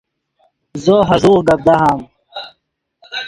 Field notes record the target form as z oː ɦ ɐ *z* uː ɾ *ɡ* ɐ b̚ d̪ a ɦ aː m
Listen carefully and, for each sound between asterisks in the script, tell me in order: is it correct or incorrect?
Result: correct, correct

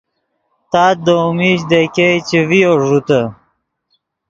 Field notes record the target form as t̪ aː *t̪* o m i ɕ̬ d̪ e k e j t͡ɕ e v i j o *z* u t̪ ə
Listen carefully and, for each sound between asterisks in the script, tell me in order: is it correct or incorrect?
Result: incorrect, incorrect

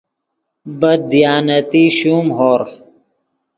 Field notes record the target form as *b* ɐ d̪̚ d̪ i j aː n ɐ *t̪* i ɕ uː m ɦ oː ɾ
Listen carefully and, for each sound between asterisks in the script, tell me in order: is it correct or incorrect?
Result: correct, correct

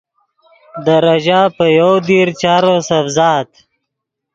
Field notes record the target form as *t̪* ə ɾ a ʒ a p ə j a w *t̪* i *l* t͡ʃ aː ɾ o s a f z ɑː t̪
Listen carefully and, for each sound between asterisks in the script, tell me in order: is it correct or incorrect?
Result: incorrect, incorrect, incorrect

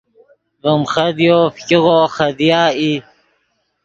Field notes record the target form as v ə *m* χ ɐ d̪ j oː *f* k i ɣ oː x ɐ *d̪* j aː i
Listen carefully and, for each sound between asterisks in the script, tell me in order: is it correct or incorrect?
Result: correct, correct, correct

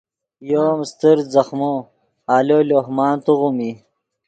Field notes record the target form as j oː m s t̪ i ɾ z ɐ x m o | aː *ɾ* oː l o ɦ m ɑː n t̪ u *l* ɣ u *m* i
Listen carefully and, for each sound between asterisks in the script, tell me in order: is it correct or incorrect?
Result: incorrect, incorrect, correct

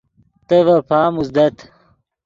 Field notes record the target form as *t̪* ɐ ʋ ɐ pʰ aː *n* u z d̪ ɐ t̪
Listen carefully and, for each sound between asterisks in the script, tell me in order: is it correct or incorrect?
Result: correct, incorrect

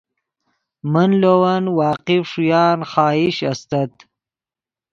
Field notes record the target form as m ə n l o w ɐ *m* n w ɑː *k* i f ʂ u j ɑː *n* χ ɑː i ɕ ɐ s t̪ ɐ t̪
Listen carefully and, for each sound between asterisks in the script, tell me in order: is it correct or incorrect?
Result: incorrect, incorrect, correct

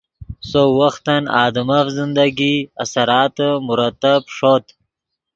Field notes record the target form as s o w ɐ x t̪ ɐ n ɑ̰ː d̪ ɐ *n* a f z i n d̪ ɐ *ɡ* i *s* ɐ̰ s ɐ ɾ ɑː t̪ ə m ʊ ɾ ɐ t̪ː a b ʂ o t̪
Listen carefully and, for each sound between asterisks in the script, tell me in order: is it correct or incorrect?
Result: incorrect, correct, incorrect

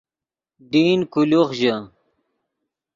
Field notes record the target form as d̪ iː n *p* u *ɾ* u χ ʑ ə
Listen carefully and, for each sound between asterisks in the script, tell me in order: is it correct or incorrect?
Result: incorrect, incorrect

